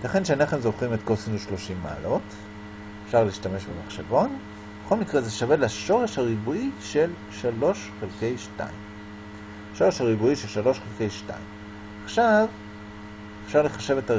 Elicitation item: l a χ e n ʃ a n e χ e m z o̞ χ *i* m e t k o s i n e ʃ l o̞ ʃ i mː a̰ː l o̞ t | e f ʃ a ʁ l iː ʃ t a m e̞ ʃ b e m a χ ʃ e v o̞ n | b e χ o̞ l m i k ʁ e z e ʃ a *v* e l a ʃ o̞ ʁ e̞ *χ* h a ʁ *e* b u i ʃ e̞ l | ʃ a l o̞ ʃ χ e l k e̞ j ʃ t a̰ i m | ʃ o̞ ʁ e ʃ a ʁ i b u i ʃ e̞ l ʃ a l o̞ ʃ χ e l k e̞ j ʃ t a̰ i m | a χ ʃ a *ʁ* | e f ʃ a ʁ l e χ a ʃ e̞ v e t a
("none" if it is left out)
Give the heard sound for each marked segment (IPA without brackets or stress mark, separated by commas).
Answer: i, v, ʃ, i, v